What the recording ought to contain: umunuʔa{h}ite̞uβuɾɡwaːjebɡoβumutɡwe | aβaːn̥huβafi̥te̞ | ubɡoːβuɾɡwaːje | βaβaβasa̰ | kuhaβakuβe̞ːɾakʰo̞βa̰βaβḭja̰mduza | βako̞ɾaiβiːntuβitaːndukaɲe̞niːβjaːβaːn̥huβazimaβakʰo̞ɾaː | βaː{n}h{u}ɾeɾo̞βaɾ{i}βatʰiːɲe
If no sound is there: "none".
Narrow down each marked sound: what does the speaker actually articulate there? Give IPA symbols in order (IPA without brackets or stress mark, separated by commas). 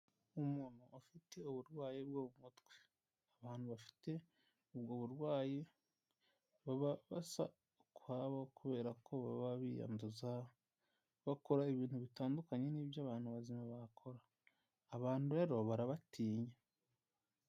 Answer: f, n, u, a